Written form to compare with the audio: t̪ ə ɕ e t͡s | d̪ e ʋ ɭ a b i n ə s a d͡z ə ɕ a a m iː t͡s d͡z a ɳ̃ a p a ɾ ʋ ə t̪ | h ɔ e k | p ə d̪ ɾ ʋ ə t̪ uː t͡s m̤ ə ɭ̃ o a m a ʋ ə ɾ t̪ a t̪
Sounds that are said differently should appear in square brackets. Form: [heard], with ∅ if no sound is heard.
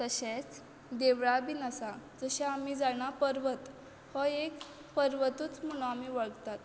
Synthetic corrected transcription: t̪ ə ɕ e t͡s | d̪ e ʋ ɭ a b i n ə s a d͡z ə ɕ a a m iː [∅] d͡z a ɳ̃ a p [ə] ɾ ʋ ə t̪ | h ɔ e k | p ə [∅] ɾ ʋ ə t̪ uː t͡s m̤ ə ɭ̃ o a m [i] ʋ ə [ɭ] t̪ a t̪